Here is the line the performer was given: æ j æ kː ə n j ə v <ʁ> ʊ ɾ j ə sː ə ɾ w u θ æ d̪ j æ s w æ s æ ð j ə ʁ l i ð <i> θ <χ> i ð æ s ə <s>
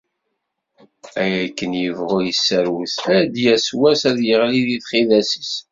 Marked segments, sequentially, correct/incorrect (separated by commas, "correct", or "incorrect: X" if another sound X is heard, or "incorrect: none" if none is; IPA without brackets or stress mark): correct, correct, correct, correct